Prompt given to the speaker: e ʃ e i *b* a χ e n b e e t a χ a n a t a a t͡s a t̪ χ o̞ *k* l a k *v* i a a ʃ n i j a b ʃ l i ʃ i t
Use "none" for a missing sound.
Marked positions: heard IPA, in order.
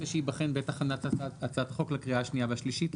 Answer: b, k, ʁ

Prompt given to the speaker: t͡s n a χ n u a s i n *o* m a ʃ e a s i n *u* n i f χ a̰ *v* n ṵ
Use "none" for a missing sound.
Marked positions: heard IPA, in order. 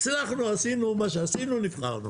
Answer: u, u, ʁ

